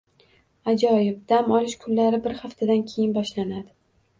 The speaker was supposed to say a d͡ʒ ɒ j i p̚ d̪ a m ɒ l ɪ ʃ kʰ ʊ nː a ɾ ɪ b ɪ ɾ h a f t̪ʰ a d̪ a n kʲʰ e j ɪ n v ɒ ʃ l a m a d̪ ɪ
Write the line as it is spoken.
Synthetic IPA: a d͡ʒ ɒ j ɪ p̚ d̪ a m ɒ l ɪ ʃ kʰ ʊ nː a ɾ ɪ b ɪ ɾ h a f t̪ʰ a d̪ a n kʲʰ e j ɪ n b ɒ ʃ l a n a d̪ ɪ

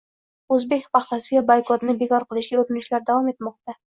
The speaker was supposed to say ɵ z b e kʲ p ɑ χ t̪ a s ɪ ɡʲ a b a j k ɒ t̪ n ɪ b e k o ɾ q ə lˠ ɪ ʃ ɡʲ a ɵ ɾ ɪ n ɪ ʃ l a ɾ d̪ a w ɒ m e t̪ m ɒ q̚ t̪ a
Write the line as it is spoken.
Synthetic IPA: ɵ z b e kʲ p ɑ χ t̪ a s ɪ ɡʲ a b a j k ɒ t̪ n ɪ b e k ɒ ɾ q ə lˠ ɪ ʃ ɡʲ a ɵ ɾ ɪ n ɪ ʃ l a ɾ d̪ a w ɒ m e t̪ m ɒ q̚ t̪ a

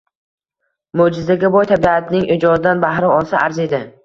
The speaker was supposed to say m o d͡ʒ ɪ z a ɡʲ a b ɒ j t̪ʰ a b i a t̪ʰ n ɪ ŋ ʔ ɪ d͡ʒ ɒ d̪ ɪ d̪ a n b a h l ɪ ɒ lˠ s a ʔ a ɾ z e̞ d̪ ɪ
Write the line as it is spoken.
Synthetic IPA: m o d͡ʒ ɪ z a ɡʲ a b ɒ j t̪ʰ a b i a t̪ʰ n ɪ ŋ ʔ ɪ d͡ʒ ɒ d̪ ɪ d̪ a n b a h ɾ ɪ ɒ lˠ s a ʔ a ɾ z e̞ d̪ ɪ

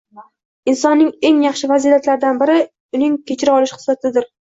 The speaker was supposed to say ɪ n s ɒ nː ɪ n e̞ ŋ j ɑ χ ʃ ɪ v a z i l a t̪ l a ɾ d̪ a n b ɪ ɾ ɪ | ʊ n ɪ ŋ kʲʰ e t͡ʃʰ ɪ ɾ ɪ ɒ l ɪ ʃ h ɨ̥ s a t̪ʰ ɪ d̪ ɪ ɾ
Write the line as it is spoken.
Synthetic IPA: ɪ n s ɒ nː ɪ ŋ e̞ ŋ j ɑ χ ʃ ɪ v a z i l a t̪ l a ɾ d̪ a n b ɪ ɾ ɪ | ʊ n ɪ ŋ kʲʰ e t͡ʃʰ ɪ ɾ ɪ ɒ l ɪ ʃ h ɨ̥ s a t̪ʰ ɪ d̪ ɪ ɾ

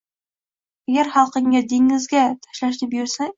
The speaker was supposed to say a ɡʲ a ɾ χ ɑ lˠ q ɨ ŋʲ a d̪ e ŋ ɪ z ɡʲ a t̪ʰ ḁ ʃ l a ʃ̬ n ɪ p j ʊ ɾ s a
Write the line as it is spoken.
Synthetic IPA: a ɡʲ a ɾ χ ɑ lˠ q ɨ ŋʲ a d̪ e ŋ ɪ z ɡʲ a t̪ʰ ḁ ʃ l a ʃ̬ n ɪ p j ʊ ɾ s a

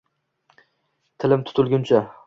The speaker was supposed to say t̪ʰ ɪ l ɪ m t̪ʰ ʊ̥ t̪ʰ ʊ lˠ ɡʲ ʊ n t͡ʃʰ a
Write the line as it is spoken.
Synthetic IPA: t̪ʰ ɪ l ɪ m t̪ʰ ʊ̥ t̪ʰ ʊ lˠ ɡʲ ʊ n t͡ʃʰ a

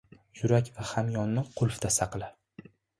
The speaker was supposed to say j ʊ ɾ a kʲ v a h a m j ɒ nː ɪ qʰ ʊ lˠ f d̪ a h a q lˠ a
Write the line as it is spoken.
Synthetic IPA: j ʊ ɾ a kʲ v a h a m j ɒ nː ɪ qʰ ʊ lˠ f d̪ a s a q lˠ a

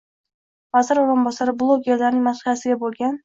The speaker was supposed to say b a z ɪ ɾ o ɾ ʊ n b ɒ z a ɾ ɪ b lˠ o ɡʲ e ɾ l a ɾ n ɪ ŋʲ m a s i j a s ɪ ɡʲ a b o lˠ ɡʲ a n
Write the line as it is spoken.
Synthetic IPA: v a z ɪ ɾ o ɾ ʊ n b ɒ s a ɾ ɪ b lˠ o ɡʲ e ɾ l a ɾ n ɪ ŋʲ m a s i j a s ɪ ɡʲ a b o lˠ ɡʲ a n

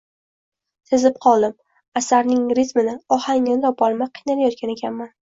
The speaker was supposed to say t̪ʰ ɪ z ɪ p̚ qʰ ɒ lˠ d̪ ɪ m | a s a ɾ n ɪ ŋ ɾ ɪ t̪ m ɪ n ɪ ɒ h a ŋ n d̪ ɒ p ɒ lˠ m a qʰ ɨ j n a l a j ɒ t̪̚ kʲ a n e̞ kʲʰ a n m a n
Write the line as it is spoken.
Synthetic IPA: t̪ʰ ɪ z ɪ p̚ qʰ ɒ lˠ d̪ ɪ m | a s a ɾ n ɪ ŋ ɾ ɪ t̪ m ɪ n ɪ ɒ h a ŋ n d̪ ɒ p ɒ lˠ m a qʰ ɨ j n a l a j ɒ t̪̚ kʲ a n e̞ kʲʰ a n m a n

